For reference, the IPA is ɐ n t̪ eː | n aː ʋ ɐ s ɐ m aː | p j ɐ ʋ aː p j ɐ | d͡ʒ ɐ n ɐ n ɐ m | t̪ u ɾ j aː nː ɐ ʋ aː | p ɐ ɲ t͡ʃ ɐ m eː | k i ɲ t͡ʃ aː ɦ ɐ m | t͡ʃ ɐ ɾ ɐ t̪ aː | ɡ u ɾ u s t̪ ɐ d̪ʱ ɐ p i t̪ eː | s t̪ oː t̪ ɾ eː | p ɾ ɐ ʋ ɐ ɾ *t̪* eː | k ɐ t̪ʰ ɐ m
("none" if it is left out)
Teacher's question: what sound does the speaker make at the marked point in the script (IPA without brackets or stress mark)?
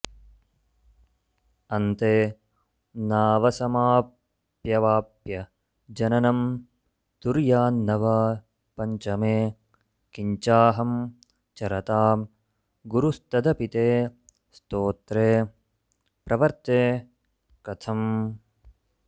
t̪